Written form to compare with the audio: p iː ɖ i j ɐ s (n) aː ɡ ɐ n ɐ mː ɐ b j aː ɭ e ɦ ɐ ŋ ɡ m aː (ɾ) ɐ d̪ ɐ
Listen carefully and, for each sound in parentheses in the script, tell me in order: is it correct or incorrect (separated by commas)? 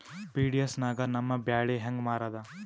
correct, correct